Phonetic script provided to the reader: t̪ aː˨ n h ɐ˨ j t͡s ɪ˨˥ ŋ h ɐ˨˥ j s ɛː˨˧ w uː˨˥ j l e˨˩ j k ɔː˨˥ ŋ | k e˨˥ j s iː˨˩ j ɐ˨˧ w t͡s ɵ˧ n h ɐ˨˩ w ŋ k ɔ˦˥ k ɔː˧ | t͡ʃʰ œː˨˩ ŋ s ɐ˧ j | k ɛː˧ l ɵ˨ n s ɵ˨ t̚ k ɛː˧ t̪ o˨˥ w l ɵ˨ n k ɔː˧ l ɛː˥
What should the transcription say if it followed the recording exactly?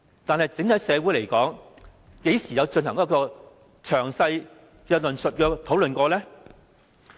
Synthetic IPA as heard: t̪ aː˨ n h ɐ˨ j t͡s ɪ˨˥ ŋ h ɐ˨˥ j s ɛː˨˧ w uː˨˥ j l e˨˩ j k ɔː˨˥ ŋ | k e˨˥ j s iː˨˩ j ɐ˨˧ w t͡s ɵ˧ n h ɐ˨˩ ŋ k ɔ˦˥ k ɔː˧ | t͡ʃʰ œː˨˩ ŋ s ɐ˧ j | k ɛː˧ l ɵ˨ n s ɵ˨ t̚ k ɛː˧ t̪ʰ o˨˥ w l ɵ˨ n k ɔː˧ l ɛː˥